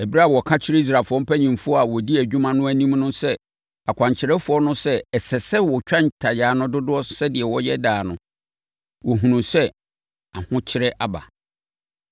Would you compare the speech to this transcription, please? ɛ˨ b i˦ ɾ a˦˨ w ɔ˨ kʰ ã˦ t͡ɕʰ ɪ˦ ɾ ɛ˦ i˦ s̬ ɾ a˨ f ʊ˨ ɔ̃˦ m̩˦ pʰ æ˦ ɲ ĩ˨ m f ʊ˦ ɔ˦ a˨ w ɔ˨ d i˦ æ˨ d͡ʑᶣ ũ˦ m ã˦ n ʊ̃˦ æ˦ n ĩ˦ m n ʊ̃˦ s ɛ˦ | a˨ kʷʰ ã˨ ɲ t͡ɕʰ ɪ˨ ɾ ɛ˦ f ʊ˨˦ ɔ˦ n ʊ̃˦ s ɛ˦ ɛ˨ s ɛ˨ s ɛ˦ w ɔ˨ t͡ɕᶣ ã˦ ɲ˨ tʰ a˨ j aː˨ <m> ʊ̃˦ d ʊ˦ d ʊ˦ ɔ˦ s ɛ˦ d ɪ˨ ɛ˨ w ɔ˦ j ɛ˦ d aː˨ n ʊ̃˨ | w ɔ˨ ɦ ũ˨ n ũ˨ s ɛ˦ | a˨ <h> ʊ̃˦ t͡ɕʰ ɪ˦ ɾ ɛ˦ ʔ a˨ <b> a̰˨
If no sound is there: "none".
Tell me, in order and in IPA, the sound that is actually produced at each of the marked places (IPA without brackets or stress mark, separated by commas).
n, h, b